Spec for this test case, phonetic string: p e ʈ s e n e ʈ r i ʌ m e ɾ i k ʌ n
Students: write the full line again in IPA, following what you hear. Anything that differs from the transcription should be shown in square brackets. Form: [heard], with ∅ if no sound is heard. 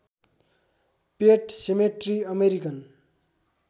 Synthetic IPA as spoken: p e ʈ s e [m] e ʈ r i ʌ m e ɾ i k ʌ n